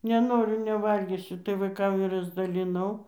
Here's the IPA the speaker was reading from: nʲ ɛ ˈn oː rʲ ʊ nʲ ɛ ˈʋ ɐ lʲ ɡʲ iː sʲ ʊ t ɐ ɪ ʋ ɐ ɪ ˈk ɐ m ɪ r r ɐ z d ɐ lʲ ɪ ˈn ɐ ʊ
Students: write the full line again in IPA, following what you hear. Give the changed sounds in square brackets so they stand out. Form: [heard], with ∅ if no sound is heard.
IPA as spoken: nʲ ɛ ˈn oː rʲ ʊ nʲ ɛ ˈʋ ɐ lʲ ɡʲ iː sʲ ʊ t ɐ ɪ ʋ ɐ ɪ ˈk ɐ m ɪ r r ɐ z d ɐ lʲ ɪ ˈn ɐ ʊ